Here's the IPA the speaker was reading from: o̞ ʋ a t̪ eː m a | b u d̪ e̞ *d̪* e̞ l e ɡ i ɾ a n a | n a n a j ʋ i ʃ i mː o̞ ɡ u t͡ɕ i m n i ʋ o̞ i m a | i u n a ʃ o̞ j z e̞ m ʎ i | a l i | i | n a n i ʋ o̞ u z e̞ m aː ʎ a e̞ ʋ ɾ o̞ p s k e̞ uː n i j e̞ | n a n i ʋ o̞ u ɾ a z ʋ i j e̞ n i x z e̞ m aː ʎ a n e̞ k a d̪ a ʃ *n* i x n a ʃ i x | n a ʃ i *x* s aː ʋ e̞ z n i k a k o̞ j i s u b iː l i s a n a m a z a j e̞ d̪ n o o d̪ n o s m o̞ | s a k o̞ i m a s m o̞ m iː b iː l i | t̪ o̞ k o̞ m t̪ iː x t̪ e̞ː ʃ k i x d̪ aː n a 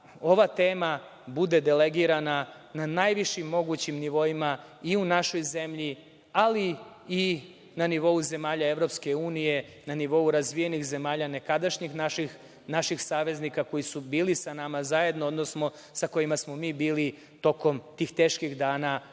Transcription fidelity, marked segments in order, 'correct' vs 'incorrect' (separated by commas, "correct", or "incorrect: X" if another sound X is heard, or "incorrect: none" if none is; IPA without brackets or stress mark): correct, incorrect: ɲ, correct